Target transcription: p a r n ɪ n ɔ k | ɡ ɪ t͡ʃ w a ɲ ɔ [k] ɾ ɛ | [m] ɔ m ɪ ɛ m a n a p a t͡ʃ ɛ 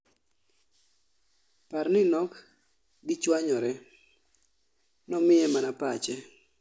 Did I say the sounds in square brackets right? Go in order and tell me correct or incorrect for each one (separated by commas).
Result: incorrect, incorrect